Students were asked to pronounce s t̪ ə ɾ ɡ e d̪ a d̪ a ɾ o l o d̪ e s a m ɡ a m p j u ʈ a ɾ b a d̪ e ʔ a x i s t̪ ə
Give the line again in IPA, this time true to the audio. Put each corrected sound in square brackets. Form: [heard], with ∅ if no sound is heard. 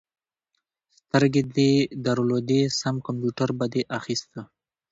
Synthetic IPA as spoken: s t̪ ə ɾ ɡ e d̪ [e] d̪ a ɾ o l o d̪ e s a m [k] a m p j u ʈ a ɾ b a d̪ e ʔ a x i s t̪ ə